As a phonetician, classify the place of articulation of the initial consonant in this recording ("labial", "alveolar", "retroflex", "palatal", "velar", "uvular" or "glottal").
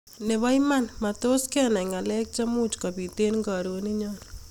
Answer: alveolar